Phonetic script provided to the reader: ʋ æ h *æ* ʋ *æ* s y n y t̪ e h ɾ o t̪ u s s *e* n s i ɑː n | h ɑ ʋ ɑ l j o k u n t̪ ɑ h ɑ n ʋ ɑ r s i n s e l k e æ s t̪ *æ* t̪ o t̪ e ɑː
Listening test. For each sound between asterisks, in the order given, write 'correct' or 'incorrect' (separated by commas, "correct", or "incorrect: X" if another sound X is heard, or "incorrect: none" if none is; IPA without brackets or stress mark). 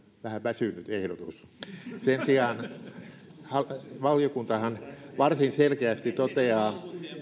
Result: correct, correct, correct, incorrect: i